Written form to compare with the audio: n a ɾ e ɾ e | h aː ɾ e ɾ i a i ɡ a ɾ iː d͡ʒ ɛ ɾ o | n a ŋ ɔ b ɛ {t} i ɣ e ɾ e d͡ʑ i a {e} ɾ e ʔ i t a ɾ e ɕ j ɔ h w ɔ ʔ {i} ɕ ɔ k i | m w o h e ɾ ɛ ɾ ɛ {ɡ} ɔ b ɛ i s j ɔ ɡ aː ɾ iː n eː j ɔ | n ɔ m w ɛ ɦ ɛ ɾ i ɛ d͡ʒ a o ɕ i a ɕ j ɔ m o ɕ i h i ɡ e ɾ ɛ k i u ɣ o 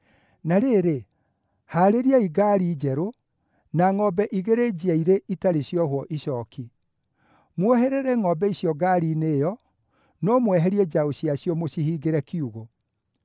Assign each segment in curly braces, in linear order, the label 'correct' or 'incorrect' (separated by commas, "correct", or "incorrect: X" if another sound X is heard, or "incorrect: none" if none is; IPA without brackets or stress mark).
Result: incorrect: ʔ, incorrect: i, correct, incorrect: ŋ